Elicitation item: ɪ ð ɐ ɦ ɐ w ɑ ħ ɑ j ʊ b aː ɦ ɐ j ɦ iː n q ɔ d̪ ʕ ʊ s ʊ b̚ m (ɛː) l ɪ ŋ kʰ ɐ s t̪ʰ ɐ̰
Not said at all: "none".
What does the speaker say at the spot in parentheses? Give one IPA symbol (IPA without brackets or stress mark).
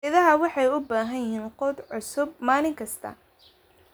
aː